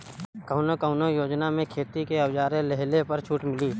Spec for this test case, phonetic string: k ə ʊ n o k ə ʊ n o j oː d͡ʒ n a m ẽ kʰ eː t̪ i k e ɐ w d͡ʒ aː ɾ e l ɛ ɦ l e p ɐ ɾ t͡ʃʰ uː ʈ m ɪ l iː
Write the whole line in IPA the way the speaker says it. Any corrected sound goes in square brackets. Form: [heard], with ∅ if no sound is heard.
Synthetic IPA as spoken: k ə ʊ n o k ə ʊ n o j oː d͡ʒ n a m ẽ kʰ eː t̪ i k e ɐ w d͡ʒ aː ɾ e l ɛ ɦ l e p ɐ ɾ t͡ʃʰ uː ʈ m ɪ l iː